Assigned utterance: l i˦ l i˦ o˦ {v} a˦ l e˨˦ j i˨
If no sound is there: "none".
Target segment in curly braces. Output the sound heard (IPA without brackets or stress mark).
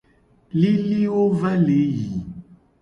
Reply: v